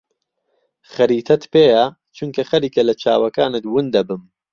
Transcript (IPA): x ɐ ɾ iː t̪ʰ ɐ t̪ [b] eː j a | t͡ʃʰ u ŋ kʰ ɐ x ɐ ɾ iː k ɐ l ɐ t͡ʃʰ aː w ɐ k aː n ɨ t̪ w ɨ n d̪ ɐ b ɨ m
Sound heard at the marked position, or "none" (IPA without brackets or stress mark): p